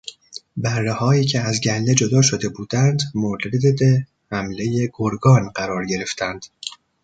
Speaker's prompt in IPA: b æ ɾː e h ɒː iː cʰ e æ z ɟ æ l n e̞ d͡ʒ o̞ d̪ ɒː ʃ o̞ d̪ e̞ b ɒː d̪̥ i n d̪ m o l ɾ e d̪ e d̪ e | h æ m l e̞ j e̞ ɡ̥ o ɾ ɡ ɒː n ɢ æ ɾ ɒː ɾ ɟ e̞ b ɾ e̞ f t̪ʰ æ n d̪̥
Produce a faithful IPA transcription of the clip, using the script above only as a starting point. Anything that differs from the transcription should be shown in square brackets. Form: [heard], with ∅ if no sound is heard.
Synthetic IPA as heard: b æ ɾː e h ɒː iː cʰ e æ z ɟ æ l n e̞ d͡ʒ o̞ d̪ ɒː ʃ o̞ d̪ e̞ b [uː] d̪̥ [æ] n d̪ m o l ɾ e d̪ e d̪ e | h æ m l e̞ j e̞ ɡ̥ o ɾ ɡ ɒː n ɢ æ ɾ ɒː ɾ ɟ e̞ [∅] ɾ e̞ f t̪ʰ æ n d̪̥